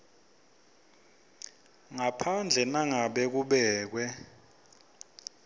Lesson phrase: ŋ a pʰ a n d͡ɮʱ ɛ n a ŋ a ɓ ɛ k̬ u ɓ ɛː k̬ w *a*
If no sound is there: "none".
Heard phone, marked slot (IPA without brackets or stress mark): ɛ